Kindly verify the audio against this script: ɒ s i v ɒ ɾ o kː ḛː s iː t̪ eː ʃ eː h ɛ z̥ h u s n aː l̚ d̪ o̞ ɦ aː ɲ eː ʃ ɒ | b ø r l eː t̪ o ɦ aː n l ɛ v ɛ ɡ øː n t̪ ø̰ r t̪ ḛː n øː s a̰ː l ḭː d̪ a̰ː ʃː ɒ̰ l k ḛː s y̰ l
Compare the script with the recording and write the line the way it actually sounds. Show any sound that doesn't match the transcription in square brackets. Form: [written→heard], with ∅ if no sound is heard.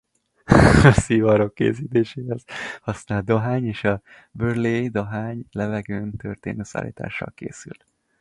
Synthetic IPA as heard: ɒ s i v ɒ ɾ o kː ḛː s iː t̪ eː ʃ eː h ɛ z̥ h [u→ɒ] s n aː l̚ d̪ o̞ ɦ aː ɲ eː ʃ ɒ | b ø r l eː [t̪→d̪] o ɦ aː [n→ɲ] l ɛ v ɛ ɡ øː n t̪ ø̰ r t̪ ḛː n øː s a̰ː l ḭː [d̪→t̪] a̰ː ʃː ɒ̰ l k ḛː s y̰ l